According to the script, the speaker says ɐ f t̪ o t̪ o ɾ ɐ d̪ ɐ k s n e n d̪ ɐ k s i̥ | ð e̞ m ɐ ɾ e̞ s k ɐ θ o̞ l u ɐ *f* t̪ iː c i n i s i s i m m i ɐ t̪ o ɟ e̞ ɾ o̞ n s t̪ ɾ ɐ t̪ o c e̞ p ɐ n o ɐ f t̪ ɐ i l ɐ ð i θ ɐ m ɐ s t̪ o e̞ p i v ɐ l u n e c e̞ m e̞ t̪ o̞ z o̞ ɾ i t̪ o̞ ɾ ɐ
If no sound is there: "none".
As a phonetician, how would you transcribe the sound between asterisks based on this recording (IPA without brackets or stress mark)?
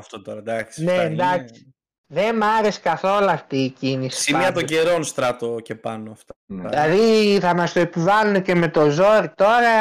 f